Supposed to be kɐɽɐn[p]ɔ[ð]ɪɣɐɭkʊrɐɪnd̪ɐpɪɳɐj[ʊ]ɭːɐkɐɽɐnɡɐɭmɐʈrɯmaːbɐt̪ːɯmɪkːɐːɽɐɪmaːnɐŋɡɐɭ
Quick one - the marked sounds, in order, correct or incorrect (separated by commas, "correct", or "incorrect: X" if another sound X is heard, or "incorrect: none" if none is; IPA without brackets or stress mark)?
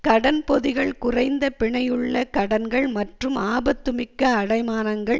correct, correct, incorrect: ɯ